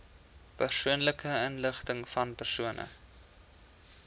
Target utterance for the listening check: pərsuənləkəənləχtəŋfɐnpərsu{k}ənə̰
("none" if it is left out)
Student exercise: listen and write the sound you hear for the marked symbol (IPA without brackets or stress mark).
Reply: none